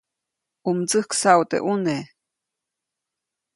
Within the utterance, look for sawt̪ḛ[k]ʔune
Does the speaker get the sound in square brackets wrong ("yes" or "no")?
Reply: yes